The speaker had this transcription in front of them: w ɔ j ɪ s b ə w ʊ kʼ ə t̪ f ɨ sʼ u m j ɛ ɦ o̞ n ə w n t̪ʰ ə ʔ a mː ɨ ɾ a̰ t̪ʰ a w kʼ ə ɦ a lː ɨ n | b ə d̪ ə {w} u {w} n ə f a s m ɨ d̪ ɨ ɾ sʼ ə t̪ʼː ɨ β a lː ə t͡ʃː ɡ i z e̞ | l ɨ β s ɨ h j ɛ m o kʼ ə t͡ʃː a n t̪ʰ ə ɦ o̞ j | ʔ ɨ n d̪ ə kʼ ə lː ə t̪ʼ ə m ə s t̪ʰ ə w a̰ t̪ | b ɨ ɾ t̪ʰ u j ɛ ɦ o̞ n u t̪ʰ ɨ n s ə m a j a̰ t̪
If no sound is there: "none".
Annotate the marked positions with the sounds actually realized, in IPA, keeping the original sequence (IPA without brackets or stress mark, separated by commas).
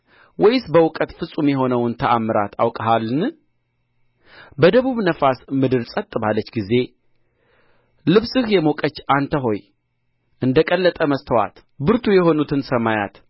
β, β